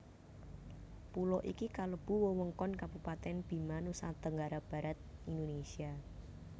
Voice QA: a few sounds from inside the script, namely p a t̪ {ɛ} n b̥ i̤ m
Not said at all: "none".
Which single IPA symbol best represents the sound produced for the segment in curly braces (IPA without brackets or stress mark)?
ɛ